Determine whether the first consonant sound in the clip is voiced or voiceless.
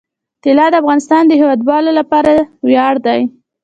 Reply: voiceless